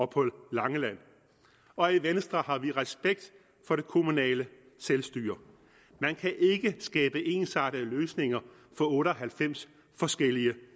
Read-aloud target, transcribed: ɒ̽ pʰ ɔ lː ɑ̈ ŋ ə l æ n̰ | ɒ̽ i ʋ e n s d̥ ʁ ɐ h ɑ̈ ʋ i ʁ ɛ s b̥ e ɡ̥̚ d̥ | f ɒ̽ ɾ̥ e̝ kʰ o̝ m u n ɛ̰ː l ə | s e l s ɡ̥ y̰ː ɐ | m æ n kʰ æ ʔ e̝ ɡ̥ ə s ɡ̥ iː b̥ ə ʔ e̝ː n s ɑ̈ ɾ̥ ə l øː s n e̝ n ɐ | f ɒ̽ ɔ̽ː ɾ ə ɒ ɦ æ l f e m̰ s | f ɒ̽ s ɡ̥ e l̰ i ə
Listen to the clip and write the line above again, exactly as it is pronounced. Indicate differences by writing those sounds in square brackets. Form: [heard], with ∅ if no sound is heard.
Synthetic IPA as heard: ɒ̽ pʰ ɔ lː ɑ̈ ŋ ə l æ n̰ | ɒ̽ i ʋ e n s d̥ ʁ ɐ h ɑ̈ ʋ i ʁ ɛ s b̥ e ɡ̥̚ d̥ | f ɒ̽ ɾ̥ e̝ kʰ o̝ m u n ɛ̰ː l ə | s e l s [d̥] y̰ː ɐ | m æ n kʰ æ ʔ e̝ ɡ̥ ə s ɡ̥ [ɛː] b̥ ə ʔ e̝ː n s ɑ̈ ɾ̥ ə l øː s n e̝ [ŋ] ɐ | f ɒ̽ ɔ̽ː ɾ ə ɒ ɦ æ l f e m̰ s | f ɒ̽ s ɡ̥ e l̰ i ə

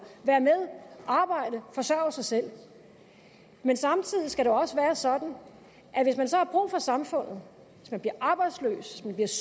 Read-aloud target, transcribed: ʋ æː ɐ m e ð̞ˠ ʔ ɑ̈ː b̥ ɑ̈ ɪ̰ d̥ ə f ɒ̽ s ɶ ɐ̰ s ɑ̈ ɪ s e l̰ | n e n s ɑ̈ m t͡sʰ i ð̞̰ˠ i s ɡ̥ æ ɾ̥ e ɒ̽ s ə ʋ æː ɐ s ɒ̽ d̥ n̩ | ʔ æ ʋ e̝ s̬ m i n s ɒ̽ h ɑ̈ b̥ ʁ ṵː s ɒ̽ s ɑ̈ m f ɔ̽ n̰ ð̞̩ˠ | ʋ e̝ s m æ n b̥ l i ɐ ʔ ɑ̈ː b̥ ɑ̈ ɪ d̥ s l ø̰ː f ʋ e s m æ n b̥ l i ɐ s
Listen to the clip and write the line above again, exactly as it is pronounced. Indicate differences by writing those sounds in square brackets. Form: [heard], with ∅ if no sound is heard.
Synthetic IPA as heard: ʋ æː ɐ m e ð̞ˠ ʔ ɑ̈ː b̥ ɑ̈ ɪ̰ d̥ ə f ɒ̽ s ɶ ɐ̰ s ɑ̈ ɪ s e l̰ | [m] e n s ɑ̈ m t͡sʰ i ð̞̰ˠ i s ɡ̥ æ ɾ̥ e ɒ̽ s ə ʋ æː ɐ s ɒ̽ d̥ n̩ | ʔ æ ʋ e̝ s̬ m [æ] n s ɒ̽ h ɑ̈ b̥ ʁ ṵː [f] ɒ̽ s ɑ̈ m f ɔ̽ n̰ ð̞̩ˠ | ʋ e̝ s m æ n b̥ l i ɐ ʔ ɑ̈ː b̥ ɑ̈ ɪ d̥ s l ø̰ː [s] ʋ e s m æ n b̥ l i ɐ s

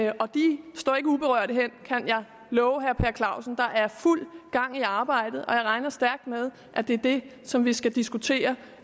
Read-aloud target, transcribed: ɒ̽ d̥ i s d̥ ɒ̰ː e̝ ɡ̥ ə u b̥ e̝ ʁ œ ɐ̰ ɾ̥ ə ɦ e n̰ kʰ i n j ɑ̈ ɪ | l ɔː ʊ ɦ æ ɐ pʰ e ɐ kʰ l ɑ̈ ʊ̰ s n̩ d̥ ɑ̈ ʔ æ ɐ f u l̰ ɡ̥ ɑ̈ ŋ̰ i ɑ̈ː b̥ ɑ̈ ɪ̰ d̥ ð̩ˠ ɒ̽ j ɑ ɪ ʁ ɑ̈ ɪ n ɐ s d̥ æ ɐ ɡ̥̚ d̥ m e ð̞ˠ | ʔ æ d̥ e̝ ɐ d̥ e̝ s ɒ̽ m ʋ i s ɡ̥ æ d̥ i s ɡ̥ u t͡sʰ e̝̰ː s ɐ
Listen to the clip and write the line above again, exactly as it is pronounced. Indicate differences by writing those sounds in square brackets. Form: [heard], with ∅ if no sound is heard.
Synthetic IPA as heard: ɒ̽ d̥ i s d̥ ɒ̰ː e̝ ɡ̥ ə u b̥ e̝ ʁ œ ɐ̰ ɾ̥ ə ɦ e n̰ kʰ [æ] n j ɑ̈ ɪ | l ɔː ʊ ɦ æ ɐ pʰ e ɐ kʰ l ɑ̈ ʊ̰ s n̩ d̥ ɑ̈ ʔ æ ɐ f u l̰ ɡ̥ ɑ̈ ŋ̰ i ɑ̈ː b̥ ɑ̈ ɪ̰ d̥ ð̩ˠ ɒ̽ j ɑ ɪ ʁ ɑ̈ ɪ n ɐ s d̥ æ ɐ ɡ̥̚ d̥ m e ð̞ˠ | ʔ æ d̥ e̝ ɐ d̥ e̝ s ɒ̽ m ʋ i s ɡ̥ æ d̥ i s ɡ̥ u t͡sʰ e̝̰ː [∅] ɐ

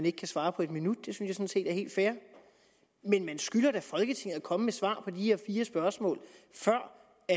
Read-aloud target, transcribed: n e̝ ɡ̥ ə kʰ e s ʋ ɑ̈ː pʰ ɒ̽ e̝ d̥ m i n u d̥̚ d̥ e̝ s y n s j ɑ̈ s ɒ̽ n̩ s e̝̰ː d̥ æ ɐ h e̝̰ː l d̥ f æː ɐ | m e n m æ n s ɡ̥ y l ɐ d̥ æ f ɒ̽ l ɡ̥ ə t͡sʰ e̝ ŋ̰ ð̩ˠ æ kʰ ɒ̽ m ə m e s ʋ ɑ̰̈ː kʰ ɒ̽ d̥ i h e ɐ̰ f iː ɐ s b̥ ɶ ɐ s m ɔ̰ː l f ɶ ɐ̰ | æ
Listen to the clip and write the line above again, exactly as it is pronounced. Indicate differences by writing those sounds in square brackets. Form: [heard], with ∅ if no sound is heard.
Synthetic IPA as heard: n e̝ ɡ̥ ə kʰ [æ] s ʋ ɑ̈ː pʰ ɒ̽ e̝ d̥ m i n u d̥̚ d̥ e̝ s y n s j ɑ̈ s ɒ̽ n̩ s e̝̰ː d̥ æ ɐ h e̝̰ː l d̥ f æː ɐ | m e n m æ n s ɡ̥ y l ɐ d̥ æ f ɒ̽ l ɡ̥ ə t͡sʰ e̝ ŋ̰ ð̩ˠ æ kʰ ɒ̽ m ə m e s ʋ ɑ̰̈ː [pʰ] ɒ̽ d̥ i h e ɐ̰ f iː ɐ s b̥ ɶ ɐ s m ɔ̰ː l f ɶ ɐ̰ | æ

